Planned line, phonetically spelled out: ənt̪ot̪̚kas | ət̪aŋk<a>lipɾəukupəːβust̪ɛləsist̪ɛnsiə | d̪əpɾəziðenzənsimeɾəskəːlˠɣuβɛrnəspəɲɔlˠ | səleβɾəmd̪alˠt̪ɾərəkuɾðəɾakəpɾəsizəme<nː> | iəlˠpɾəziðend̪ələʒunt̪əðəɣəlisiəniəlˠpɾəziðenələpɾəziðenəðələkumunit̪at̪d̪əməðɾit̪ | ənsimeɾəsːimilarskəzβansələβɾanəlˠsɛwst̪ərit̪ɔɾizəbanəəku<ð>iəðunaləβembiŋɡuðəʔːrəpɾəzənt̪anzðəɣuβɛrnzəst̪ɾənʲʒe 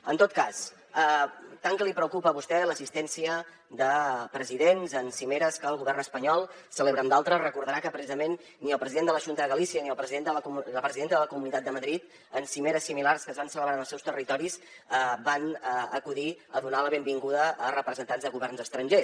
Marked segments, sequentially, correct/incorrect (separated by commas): incorrect, correct, correct